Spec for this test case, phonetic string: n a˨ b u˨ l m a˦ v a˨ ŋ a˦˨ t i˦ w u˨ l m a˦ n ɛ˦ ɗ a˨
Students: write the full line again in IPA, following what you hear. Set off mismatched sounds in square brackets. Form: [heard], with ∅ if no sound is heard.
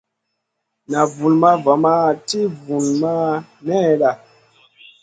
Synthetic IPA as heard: n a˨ [v] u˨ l m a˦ v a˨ [m] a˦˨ t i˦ [v] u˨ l m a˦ n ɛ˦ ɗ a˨